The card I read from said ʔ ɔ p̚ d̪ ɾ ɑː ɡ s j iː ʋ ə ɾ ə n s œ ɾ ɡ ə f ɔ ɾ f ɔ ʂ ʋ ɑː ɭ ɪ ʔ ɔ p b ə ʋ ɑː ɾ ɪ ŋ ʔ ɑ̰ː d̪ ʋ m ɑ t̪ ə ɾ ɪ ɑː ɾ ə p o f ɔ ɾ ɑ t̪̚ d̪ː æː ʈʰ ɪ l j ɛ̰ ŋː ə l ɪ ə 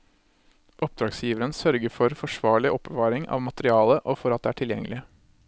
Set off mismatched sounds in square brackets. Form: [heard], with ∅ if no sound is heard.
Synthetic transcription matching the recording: ʔ ɔ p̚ d̪ ɾ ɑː ɡ s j iː ʋ ə ɾ ə n s œ ɾ ɡ ə f ɔ ɾ f ɔ ʂ ʋ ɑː ɭ ɪ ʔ ɔ p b ə ʋ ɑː ɾ ɪ ŋ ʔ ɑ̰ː [∅] ʋ m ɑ t̪ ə ɾ ɪ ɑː [l] ə [ʔ] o f ɔ ɾ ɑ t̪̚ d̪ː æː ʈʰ ɪ l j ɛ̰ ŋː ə l ɪ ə